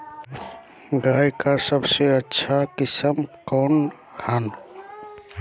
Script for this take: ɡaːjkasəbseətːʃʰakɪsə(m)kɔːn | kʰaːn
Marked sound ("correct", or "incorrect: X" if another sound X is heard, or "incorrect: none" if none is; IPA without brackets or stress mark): correct